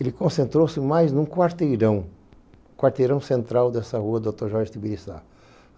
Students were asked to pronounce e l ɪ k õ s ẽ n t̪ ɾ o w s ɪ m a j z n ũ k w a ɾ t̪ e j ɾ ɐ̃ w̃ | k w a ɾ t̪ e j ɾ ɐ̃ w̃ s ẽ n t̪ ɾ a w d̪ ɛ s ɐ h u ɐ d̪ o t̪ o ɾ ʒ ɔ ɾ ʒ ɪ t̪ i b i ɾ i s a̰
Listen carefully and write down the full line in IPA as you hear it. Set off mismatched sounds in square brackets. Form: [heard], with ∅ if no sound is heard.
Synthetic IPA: e l ɪ k õ s ẽ n t̪ ɾ o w s ɪ m a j z n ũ k w a ɾ t̪ e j ɾ ɐ̃ w̃ | k w a ɾ t̪ e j ɾ ɐ̃ w̃ s ẽ n t̪ ɾ a w d̪ ɛ s ɐ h u ɐ d̪ o t̪ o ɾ ʒ ɔ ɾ ʒ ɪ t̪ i b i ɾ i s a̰